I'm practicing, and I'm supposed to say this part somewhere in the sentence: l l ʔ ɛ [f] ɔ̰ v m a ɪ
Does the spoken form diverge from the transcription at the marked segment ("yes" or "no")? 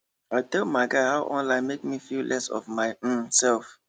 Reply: yes